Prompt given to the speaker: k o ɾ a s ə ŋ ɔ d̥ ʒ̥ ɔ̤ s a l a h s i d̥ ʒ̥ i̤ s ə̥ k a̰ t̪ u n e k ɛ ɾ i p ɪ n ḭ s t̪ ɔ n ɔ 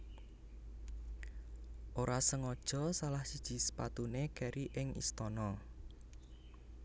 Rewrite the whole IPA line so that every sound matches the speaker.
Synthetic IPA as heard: ʔ o ɾ a s ə ŋ ɔ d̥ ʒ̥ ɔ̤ s a l a h s i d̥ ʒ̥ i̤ s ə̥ p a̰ t̪ u n e k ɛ ɾ i ʔ ɪ ŋ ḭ s t̪ ɔ n ɔ